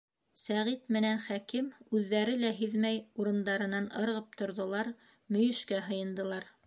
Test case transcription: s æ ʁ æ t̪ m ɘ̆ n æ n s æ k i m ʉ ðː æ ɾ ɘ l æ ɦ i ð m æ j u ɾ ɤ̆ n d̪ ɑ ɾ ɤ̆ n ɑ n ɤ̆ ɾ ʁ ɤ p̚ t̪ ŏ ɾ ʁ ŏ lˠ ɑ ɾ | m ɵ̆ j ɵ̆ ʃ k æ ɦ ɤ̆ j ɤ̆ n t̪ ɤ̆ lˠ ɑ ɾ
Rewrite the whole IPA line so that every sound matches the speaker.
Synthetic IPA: s æ ʁ i t̪ m ɘ̆ n æ n χ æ k i m ʉ ðː æ ɾ ɘ l æ ɦ i ð m æ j u ɾ ɤ̆ n d̪ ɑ ɾ ɤ̆ n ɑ n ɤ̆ ɾ ʁ ɤ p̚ t̪ ŏ ɾ ð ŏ lˠ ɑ ɾ | m ɵ̆ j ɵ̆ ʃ k æ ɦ ɤ̆ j ɤ̆ n d̪ ɤ̆ lˠ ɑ ɾ